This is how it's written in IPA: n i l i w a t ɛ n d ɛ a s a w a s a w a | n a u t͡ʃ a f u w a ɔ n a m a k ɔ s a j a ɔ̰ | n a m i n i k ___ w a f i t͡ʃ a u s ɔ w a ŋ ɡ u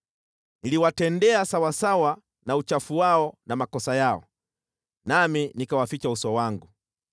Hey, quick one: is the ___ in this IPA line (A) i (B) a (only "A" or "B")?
B